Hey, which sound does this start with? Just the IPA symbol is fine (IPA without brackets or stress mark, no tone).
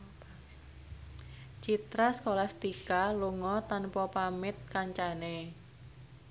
t͡ʃ